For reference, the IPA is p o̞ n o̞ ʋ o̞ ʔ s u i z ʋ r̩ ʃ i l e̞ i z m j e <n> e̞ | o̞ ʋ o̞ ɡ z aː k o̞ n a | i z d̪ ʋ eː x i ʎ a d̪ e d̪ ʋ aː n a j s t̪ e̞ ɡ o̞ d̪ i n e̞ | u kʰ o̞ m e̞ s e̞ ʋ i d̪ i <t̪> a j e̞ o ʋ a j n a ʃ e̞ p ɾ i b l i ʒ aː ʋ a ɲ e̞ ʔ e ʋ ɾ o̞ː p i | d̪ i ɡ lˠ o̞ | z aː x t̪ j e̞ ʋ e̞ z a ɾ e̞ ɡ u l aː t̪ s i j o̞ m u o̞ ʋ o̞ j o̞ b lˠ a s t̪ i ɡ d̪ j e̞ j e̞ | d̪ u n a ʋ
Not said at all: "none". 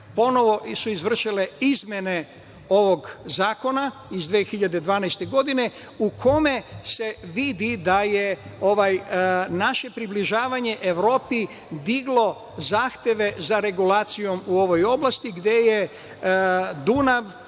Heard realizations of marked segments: n, d̪

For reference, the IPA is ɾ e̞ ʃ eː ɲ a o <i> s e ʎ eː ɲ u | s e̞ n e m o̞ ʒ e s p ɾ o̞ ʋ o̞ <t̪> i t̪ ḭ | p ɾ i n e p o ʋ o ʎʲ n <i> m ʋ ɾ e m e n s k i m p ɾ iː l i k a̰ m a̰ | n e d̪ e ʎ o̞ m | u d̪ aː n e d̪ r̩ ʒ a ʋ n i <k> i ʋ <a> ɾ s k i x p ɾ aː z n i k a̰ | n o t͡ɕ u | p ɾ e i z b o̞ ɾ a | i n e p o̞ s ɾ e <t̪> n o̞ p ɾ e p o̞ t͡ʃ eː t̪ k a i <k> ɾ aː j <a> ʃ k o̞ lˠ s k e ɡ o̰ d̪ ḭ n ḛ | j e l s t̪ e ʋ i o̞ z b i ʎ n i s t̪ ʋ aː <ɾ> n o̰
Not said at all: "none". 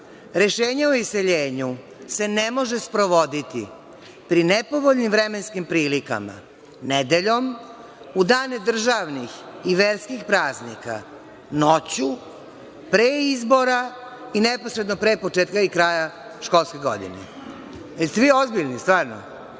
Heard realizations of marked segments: i, d̪, i, x, e, d̪, k, a, ɾ

